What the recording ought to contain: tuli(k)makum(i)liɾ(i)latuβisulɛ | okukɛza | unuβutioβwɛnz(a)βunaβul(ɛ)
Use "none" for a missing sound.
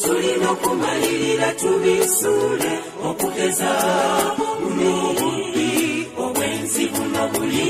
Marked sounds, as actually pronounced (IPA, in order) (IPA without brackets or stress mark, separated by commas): none, a, i, i, i